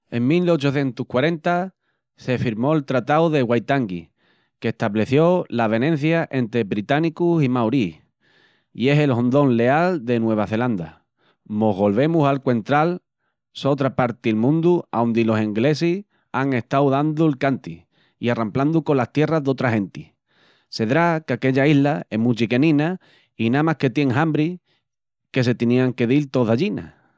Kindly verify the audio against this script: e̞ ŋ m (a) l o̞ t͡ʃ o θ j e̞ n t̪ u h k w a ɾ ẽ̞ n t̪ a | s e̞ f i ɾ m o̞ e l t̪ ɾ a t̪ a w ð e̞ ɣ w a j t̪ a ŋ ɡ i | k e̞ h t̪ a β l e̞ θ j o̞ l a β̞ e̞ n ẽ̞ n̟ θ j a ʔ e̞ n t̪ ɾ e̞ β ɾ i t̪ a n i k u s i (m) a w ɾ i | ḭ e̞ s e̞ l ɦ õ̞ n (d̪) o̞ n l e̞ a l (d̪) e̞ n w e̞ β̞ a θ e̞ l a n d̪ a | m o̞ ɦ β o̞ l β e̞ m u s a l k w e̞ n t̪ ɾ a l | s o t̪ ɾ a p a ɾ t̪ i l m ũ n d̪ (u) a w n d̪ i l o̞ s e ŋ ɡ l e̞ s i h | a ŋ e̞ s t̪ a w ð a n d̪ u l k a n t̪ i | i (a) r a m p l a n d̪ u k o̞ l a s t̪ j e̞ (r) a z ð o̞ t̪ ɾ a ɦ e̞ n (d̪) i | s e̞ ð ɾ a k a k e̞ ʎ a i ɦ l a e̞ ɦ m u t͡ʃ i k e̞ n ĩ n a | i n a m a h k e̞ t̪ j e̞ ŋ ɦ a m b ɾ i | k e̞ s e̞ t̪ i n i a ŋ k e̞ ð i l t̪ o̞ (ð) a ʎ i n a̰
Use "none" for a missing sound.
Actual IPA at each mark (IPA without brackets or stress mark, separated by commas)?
i, m, d̪, d̪, u, a, r, t̪, ð